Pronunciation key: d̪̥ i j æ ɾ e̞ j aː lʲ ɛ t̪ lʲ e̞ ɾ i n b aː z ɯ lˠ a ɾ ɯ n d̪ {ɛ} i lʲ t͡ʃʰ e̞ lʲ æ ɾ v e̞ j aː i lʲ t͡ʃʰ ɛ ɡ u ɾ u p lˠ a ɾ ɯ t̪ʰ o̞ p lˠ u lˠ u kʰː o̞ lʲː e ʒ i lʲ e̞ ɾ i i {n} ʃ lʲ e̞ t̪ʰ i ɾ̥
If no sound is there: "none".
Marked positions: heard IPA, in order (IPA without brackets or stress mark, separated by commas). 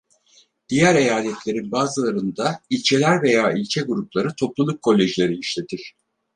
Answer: a, none